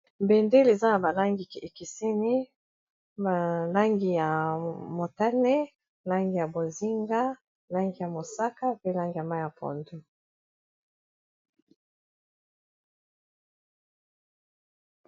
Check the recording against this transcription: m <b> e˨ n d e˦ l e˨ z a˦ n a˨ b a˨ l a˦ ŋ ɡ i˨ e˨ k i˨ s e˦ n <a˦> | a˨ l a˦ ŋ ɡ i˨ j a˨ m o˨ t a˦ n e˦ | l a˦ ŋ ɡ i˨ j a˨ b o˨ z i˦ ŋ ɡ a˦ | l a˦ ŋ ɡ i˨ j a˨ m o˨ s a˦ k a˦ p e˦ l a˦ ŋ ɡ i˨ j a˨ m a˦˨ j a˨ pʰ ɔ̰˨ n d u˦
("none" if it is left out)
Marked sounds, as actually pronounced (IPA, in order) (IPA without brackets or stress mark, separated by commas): b, i˦